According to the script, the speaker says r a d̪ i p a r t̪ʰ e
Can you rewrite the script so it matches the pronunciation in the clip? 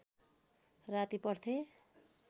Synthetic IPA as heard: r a t̪ i p ʌ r t̪ʰ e